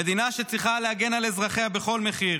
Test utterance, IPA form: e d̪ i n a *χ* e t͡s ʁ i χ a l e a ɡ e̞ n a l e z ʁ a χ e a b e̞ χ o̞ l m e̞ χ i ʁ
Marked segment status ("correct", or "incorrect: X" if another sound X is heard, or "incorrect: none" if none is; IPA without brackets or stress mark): incorrect: ʃ